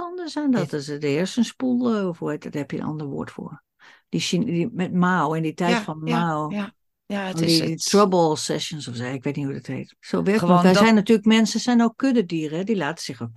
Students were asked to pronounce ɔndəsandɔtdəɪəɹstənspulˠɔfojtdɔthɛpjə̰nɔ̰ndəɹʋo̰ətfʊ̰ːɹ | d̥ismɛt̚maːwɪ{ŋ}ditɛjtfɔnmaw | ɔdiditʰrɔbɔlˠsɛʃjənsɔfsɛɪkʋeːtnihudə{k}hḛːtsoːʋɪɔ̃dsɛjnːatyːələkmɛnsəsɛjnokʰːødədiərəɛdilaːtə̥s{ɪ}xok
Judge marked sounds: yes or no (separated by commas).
no, no, yes